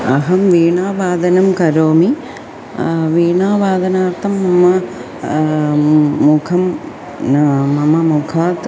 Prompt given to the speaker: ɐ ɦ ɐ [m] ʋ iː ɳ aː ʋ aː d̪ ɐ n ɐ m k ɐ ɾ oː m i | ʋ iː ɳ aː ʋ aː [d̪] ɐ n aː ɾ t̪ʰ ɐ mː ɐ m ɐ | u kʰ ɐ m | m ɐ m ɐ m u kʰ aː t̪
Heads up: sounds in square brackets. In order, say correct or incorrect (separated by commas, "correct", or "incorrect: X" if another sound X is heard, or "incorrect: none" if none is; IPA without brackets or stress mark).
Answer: correct, correct